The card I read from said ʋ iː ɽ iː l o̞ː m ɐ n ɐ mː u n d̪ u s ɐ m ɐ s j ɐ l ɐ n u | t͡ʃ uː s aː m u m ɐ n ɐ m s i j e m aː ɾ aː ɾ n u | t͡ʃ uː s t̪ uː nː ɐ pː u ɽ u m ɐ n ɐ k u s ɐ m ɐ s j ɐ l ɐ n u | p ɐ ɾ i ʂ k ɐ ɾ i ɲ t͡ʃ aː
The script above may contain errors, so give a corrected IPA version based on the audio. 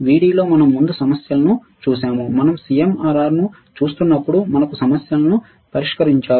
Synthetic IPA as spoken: ʋ iː ɽ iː l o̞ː m ɐ n ɐ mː u n d̪ u s ɐ m ɐ s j ɐ l ɐ n u | t͡ʃ uː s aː m u m ɐ n ɐ m s i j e m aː ɾ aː ɾ n u | t͡ʃ uː s t̪ u nː ɐ pː u ɽ u m ɐ n ɐ k u s ɐ m ɐ s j ɐ l ɐ n u | p ɐ ɾ i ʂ k ɐ ɾ i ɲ t͡ʃ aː